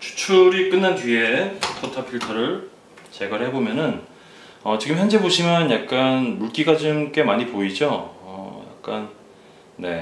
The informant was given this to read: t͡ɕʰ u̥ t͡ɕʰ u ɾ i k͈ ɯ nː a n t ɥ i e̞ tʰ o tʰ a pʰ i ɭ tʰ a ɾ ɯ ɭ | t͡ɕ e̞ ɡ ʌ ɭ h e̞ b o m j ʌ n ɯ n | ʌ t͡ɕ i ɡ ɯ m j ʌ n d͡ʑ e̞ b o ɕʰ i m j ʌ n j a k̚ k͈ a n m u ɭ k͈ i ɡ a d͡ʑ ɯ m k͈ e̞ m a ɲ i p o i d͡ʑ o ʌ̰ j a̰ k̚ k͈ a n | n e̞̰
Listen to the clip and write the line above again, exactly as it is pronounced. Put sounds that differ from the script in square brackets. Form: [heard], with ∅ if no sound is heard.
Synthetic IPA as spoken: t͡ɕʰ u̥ t͡ɕʰ u ɾ i k͈ ɯ nː a n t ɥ i e̞ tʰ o tʰ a pʰ i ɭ tʰ [ʌ] ɾ ɯ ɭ | t͡ɕ e̞ ɡ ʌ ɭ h e̞ b o m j ʌ n ɯ n | ʌ t͡ɕ i ɡ ɯ m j ʌ n d͡ʑ e̞ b o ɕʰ i m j ʌ n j a k̚ k͈ a n m u ɭ k͈ i ɡ a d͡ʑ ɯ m k͈ e̞ m a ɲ i p o i d͡ʑ o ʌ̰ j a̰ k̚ k͈ a n | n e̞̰